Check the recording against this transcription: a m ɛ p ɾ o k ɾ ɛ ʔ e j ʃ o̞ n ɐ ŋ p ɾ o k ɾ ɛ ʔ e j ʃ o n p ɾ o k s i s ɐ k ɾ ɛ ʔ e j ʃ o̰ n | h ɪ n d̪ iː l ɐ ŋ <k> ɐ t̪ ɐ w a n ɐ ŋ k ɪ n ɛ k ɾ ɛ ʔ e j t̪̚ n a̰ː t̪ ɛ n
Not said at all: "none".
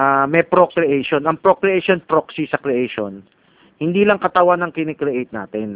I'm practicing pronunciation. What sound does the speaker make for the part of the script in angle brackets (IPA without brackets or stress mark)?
k